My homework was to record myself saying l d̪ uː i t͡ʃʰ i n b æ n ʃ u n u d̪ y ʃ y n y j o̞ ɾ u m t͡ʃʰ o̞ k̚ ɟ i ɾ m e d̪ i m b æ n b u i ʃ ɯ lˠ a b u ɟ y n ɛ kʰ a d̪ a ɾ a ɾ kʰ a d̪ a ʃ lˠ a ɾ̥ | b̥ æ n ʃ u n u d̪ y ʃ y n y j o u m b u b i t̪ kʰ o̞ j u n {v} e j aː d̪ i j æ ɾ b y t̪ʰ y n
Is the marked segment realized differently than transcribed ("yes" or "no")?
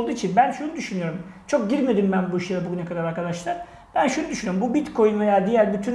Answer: no